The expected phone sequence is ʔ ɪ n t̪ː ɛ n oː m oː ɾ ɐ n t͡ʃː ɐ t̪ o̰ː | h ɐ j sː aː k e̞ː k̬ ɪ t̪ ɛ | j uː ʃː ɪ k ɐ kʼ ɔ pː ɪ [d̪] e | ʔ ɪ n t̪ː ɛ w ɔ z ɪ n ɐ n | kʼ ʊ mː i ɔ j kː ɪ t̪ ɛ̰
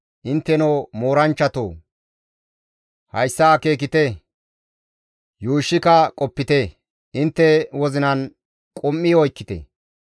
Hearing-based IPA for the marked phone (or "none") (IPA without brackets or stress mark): t̪